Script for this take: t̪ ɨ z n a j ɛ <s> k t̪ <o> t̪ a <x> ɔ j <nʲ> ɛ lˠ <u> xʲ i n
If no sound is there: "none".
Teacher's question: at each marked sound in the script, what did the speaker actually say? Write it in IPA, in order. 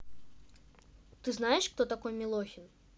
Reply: ʂ, ɔ, k, mʲ, ɔ

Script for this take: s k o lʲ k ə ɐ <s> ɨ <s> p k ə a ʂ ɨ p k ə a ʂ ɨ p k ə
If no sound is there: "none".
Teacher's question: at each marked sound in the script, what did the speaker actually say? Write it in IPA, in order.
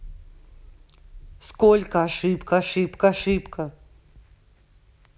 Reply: ʂ, none

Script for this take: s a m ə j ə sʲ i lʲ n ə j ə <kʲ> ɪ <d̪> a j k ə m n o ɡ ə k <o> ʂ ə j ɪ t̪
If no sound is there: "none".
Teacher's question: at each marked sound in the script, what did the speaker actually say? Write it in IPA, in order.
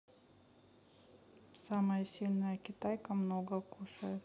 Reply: kʲ, t̪, u

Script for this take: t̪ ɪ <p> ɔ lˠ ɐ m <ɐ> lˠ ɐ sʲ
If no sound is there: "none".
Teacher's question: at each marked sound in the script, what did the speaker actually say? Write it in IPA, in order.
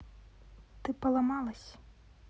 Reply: p, ɑ

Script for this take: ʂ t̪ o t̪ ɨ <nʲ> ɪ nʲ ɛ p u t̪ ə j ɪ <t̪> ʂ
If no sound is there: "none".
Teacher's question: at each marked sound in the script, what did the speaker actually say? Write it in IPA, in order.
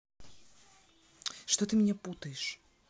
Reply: mʲ, none

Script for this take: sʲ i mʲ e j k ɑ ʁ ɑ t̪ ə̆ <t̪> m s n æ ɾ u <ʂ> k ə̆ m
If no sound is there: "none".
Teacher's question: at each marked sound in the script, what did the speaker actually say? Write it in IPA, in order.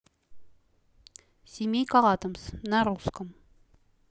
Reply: none, s

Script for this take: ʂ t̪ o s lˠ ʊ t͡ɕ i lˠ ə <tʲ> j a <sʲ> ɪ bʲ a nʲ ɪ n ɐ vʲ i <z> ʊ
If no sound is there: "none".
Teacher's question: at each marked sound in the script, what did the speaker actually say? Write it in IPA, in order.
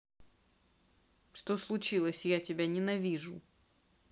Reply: sʲ, tʲ, ʐ

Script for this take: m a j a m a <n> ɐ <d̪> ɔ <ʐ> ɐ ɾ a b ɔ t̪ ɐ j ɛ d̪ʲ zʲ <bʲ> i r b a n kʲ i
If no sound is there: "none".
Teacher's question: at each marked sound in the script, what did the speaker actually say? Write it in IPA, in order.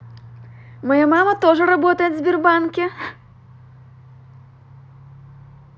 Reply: m, t̪, ʐ, bʲ

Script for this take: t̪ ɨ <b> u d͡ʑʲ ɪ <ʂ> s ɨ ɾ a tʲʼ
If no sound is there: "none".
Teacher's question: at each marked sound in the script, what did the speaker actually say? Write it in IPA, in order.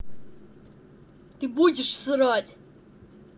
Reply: b, ʂ

